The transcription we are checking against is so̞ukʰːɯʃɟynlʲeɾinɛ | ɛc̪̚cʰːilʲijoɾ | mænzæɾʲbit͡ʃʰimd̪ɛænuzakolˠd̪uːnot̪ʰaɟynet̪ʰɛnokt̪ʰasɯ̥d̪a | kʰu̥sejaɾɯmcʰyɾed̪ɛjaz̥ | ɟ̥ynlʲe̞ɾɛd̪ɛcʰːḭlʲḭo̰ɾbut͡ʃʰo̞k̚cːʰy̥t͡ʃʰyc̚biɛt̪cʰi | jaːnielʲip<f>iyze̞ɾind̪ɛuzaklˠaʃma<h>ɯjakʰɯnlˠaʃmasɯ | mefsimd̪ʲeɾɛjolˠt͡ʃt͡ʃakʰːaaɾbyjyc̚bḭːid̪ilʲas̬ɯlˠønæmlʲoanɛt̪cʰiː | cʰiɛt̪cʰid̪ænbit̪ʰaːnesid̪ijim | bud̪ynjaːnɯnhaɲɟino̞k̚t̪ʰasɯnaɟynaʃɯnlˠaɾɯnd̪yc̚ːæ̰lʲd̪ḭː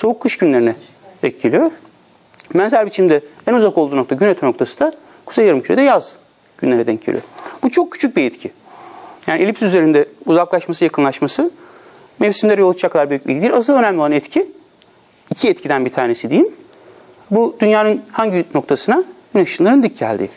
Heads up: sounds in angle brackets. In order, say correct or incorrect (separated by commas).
incorrect, incorrect